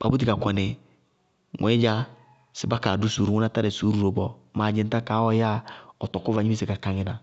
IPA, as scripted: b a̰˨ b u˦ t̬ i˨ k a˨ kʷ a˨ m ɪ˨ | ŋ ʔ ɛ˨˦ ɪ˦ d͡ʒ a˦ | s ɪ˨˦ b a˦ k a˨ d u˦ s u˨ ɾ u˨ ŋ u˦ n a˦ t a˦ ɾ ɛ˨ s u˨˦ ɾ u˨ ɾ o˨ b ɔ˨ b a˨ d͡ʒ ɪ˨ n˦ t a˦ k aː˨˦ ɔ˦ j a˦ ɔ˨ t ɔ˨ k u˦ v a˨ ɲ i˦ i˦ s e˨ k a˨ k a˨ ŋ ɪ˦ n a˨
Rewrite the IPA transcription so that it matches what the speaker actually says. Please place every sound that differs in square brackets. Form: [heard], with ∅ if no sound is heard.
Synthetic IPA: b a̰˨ b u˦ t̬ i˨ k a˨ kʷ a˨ [n] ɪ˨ | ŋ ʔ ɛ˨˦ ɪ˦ d͡ʒ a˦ | s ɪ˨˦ b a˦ k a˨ d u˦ s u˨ ɾ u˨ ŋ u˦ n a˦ t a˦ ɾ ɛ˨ s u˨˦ ɾ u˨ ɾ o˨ b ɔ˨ [m] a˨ d͡ʒ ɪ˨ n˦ t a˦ k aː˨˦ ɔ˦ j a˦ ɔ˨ t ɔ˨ k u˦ v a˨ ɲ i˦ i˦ s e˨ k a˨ k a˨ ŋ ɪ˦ n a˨